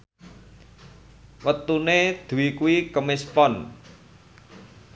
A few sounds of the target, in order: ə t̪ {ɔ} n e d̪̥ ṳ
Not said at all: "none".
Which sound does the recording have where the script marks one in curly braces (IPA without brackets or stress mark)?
u